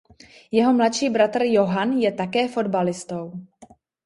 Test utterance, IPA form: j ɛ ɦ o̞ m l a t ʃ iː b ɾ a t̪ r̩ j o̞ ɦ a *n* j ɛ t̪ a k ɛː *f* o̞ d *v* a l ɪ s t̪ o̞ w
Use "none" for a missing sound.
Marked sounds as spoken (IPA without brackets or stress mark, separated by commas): n, f, b